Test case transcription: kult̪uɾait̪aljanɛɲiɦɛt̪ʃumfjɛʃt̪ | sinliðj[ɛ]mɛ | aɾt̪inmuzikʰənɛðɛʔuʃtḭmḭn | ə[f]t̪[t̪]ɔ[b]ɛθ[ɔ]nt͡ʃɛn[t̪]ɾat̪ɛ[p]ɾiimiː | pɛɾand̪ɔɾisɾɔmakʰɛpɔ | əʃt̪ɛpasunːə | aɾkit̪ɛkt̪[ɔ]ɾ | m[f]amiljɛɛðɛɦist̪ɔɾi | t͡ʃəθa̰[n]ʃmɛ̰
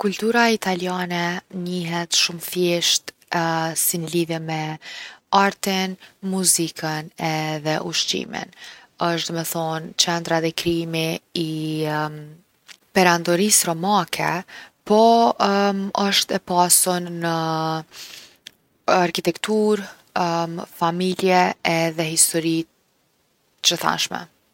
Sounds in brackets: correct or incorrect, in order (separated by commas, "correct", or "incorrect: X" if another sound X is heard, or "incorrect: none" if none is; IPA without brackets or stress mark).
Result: correct, incorrect: ʃ, incorrect: d̪, incorrect: m, correct, incorrect: d̪, incorrect: k, incorrect: u, correct, correct